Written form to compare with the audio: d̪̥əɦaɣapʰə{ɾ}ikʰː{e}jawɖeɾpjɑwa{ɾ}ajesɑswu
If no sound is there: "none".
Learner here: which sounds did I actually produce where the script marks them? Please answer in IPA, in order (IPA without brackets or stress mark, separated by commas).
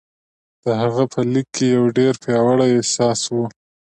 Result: l, e, ɽ